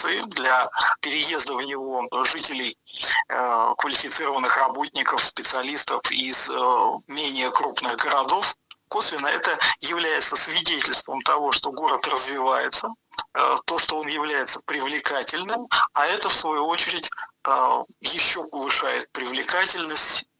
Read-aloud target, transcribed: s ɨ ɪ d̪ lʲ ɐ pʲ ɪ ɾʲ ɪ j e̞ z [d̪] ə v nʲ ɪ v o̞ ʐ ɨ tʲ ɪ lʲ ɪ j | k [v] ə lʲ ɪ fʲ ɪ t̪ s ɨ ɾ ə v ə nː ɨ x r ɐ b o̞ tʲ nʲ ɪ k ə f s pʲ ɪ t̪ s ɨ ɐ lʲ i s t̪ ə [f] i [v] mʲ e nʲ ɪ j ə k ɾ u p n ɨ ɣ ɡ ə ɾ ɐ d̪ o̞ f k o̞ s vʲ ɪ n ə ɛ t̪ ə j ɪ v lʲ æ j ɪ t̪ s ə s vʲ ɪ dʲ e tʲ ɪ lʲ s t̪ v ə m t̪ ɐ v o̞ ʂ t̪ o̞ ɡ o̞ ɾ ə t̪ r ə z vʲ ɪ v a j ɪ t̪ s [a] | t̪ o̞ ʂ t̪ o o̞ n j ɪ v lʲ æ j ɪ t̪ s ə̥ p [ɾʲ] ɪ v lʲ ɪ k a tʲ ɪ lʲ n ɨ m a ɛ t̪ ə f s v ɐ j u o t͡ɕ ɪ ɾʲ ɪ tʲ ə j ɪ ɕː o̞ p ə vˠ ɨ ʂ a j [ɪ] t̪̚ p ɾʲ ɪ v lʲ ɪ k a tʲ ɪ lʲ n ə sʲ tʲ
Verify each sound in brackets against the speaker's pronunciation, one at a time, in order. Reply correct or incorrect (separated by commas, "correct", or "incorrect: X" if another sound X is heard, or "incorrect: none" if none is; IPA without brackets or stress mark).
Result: correct, correct, correct, incorrect: z, incorrect: ə, correct, correct